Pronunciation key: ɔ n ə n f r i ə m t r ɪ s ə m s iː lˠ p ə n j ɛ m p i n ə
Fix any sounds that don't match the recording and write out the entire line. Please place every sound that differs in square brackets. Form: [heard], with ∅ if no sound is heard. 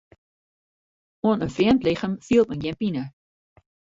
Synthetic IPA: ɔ n ə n f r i ə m t [l] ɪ [χ] ə m [f] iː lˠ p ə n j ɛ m p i n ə